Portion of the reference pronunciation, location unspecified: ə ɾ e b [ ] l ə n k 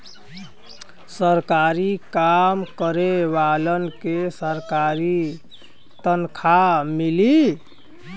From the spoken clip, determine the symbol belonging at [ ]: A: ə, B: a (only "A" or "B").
B